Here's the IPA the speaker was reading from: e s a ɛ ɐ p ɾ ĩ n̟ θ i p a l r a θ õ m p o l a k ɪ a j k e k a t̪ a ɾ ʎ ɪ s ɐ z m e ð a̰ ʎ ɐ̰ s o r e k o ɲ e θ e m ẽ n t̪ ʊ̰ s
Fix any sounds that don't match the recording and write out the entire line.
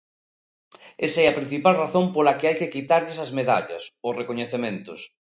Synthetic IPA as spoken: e s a ɛ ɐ p ɾ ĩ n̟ θ i p a l r a θ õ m p o l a k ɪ a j k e k i t̪ a ɾ ʎ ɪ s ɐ z m e ð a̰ ʎ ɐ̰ s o r e k o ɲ e θ e m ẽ n t̪ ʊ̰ s